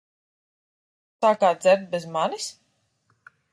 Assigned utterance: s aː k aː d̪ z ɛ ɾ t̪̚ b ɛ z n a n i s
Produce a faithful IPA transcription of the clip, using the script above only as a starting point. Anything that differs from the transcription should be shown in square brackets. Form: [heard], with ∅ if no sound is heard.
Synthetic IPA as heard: s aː k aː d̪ z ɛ ɾ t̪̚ b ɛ z [m] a n i s